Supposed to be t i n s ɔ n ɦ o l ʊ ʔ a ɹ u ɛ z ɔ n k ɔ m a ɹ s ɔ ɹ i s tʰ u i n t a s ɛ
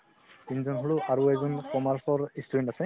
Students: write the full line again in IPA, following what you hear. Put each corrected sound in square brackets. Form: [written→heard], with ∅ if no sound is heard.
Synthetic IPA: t i n [s→z] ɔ n ɦ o l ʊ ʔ a ɹ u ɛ z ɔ n k ɔ m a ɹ s ɔ ɹ i s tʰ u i n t a s ɛ